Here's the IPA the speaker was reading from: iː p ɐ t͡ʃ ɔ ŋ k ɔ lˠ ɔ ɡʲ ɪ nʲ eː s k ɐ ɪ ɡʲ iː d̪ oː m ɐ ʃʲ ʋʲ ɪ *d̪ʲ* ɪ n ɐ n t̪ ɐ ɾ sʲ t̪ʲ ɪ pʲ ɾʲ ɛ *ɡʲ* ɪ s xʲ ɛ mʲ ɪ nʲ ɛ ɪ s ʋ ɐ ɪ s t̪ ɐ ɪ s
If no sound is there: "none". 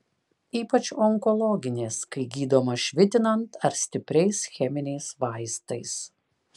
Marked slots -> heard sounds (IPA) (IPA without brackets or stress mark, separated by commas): t̪ʲ, none